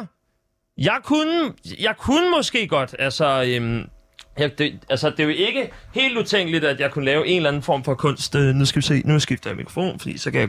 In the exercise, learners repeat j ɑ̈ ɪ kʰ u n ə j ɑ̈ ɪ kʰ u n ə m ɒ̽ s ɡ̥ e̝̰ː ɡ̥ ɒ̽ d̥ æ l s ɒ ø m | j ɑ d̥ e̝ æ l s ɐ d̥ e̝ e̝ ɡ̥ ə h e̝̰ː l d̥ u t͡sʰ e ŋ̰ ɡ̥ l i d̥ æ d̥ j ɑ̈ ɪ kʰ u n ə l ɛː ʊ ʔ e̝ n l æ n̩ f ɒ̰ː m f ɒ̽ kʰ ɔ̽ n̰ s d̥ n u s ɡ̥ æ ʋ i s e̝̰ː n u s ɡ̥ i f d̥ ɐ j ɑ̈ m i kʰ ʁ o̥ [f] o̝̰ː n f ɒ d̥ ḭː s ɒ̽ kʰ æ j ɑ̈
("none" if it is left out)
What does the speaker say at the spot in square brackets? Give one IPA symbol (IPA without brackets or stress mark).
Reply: f